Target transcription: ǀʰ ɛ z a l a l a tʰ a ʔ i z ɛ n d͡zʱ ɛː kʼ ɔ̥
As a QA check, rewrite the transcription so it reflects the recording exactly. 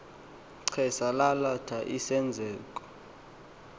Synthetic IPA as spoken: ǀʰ ɛ s a l a l a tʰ a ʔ i s ɛ n d͡zʱ ɛː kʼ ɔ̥